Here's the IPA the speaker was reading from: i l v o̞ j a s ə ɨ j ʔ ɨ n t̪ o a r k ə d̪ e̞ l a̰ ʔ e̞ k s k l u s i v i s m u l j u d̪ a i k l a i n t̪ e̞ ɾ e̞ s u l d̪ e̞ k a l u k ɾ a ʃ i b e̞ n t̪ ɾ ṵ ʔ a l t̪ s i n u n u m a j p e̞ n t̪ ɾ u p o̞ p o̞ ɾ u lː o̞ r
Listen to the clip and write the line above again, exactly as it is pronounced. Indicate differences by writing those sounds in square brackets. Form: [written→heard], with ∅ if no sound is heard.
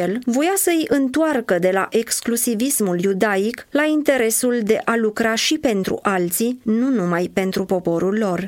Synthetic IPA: [i→e] l v o̞ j a s ə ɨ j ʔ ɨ n t̪ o a r k ə d̪ e̞ l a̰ ʔ e̞ k s k l u s i v i s m u l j u d̪ a i k l a i n t̪ e̞ ɾ e̞ s u l d̪ e̞ [k→ʔ] a l u k ɾ a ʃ i [b→p] e̞ n t̪ ɾ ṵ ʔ a l t̪ s i n u n u m a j p e̞ n t̪ ɾ u p o̞ p o̞ ɾ u lː o̞ r